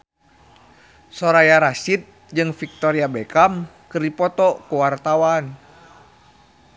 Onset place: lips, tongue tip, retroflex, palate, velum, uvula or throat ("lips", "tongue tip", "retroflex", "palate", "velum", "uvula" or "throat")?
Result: tongue tip